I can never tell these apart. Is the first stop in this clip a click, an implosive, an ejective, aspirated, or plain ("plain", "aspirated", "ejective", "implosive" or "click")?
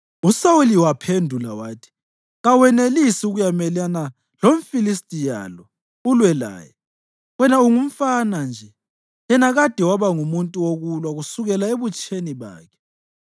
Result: aspirated